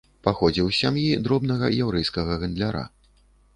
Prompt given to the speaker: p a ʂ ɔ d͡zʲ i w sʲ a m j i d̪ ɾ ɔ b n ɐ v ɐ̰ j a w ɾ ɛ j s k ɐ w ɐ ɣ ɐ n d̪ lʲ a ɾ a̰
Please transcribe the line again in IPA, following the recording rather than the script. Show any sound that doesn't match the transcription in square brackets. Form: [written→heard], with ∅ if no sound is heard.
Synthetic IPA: p a [ʂ→x] ɔ d͡zʲ i w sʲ a m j i d̪ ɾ ɔ b n ɐ [v→ɣ] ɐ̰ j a w ɾ ɛ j s k ɐ [w→ɣ] ɐ ɣ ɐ n d̪ lʲ a ɾ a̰